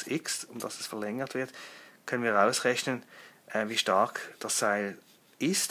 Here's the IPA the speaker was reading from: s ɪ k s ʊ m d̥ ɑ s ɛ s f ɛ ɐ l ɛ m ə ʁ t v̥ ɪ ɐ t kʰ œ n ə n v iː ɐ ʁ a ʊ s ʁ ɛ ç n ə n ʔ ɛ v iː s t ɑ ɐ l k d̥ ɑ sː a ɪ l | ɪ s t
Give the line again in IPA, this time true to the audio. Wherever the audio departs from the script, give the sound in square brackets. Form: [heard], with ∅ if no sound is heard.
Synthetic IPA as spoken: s ɪ k s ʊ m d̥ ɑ s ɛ s f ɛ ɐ l ɛ [ŋ] ə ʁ t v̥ ɪ ɐ t kʰ œ n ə n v iː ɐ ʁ a ʊ s ʁ ɛ ç n ə n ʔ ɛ v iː [ʃ] t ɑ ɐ [∅] k d̥ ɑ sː a ɪ l | ɪ s t